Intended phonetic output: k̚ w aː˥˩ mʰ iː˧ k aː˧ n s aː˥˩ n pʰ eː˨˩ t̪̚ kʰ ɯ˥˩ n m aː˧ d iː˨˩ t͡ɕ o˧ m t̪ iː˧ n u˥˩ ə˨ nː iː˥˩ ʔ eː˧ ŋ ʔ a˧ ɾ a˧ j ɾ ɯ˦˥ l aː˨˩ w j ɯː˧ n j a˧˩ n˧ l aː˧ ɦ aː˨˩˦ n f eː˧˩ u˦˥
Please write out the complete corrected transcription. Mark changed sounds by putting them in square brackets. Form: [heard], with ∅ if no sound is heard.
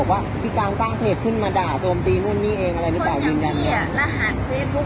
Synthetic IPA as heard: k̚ w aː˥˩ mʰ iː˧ k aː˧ n s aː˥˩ [ŋ] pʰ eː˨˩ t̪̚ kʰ ɯ˥˩ n m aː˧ d [aː˨˩] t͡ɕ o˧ m t̪ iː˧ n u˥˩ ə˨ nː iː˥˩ ʔ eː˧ ŋ ʔ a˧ ɾ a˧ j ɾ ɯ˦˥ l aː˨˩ w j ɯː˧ n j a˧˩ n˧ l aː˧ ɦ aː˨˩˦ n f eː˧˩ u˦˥